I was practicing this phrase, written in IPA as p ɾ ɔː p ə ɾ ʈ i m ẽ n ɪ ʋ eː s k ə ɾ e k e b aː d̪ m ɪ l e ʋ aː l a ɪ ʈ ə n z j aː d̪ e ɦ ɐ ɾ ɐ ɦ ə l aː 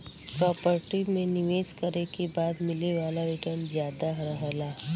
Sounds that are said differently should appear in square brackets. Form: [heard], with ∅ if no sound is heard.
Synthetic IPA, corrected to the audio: p ɾ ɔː p ə ɾ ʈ i m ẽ n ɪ ʋ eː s k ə ɾ e k e b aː d̪ m ɪ l e ʋ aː l a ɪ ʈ ə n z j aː d̪ [a] ɦ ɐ ɾ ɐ ɦ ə l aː